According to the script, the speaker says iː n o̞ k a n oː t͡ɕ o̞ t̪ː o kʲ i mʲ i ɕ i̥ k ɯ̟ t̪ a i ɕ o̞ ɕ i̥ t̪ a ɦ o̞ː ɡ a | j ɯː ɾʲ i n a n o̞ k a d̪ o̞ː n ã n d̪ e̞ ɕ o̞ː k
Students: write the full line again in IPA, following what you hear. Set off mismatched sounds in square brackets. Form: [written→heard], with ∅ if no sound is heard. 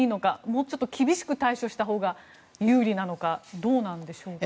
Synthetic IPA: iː n o̞ k a [n→m] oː t͡ɕ o̞ t̪ː o kʲ i [mʲ→bʲ] i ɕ i̥ k ɯ̟ t̪ a i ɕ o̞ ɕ i̥ t̪ a ɦ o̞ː ɡ a | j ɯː ɾʲ i n a n o̞ k a d̪ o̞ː n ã n d̪ e̞ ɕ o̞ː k